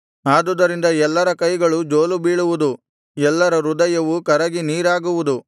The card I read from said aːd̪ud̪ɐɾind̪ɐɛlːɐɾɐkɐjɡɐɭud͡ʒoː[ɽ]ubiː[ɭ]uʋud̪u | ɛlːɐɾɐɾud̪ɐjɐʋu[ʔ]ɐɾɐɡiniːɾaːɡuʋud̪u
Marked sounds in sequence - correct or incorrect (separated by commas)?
incorrect, correct, incorrect